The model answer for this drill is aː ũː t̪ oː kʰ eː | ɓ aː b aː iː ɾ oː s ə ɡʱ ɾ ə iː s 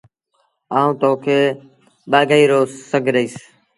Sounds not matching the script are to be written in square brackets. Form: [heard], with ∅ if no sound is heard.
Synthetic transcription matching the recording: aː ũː t̪ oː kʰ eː | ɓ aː [ɡ] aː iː ɾ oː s ə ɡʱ ɾ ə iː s